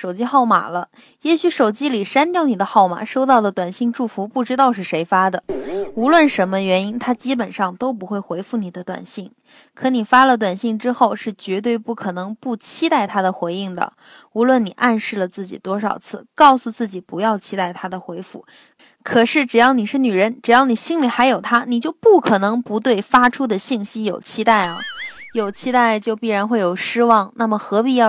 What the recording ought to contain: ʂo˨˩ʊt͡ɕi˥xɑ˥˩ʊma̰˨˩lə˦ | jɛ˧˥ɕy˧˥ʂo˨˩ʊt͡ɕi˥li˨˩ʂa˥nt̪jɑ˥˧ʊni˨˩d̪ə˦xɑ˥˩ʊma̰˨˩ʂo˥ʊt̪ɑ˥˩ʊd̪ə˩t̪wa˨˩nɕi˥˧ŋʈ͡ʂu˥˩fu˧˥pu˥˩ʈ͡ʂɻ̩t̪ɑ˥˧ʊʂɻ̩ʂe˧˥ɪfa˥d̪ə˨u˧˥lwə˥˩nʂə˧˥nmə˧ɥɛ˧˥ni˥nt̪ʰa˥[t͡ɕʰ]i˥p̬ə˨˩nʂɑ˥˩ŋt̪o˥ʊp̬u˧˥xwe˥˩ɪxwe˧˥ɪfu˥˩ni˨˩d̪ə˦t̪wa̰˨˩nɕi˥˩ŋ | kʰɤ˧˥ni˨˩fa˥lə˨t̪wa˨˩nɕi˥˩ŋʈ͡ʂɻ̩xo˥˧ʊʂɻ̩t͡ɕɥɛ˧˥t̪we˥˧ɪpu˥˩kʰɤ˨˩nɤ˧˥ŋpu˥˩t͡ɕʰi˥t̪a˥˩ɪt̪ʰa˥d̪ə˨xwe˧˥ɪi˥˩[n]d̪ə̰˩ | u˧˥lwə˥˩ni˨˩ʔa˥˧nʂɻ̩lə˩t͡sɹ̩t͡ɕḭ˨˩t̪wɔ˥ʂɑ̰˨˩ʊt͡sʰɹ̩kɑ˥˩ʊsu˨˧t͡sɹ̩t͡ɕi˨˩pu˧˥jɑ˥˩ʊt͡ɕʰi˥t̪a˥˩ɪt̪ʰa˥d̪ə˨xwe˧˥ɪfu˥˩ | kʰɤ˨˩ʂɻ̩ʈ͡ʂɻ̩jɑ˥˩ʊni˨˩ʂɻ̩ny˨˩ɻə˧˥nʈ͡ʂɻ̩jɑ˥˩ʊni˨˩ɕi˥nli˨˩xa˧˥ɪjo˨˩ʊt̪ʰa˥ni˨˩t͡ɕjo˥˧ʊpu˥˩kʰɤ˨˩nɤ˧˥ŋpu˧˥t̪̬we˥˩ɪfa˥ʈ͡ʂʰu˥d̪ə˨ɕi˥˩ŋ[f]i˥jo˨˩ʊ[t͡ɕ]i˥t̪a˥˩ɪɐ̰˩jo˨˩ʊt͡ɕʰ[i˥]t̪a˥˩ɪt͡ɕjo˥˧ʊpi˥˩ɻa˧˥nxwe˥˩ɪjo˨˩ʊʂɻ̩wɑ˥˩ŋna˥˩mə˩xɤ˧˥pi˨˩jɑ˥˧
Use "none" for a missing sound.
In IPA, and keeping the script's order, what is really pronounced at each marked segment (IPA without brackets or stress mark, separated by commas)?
t͡ɕ, ŋ, ɕ, t͡ɕʰ, i˥